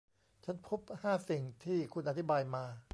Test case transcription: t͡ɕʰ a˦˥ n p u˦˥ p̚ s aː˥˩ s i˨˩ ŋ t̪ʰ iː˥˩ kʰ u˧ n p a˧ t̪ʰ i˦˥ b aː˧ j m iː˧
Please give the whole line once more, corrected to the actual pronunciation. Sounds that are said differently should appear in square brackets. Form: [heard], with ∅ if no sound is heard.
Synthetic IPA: t͡ɕʰ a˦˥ n [pʰ] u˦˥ p̚ [h] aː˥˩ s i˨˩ ŋ t̪ʰ iː˥˩ kʰ u˧ n [ʔ] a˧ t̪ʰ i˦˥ b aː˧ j m [aː˧]